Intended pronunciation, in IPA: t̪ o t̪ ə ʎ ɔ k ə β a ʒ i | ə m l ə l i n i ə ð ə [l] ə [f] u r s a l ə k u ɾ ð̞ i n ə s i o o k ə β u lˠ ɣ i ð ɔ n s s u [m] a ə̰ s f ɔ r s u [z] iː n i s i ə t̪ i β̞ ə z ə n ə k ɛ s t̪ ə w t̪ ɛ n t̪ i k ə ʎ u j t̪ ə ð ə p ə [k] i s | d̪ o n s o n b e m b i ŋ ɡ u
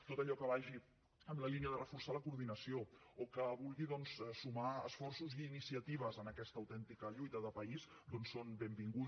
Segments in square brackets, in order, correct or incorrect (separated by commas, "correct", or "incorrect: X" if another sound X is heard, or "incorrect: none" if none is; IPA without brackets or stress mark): incorrect: r, correct, correct, correct, incorrect: none